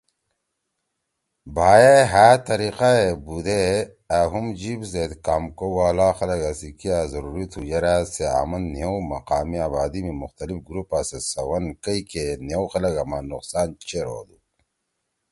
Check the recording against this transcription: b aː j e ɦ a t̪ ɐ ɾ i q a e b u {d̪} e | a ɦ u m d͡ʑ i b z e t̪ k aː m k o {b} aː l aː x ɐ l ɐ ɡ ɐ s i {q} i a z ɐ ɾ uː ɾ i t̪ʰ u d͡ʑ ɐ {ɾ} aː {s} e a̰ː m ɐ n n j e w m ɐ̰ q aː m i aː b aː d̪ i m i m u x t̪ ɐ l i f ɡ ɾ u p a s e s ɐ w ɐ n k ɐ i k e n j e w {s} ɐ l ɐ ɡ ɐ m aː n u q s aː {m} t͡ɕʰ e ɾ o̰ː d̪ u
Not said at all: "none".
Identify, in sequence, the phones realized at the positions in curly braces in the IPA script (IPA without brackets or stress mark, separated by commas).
d̪, w, k, ɾ, s, x, n